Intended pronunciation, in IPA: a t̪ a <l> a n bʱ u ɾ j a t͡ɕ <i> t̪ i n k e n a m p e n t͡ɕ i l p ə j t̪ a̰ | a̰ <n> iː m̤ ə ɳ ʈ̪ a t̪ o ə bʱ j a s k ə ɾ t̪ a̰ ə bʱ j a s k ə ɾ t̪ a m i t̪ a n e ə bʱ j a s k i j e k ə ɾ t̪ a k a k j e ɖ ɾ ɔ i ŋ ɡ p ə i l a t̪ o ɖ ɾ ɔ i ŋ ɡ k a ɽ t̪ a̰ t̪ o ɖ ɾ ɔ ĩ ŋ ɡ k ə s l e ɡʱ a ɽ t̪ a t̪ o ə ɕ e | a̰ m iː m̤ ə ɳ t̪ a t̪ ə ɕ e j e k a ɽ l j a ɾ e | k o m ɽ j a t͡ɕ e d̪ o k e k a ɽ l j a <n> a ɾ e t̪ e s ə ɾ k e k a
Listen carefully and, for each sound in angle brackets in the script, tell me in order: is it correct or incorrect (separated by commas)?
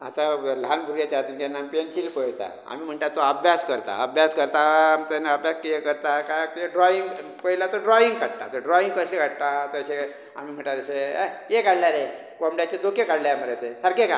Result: correct, incorrect, incorrect, incorrect